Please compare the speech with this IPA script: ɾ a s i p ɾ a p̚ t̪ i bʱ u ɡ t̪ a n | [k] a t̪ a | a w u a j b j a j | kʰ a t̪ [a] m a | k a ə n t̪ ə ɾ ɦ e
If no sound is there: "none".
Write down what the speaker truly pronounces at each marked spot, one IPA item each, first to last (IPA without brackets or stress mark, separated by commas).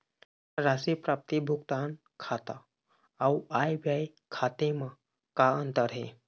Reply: kʰ, e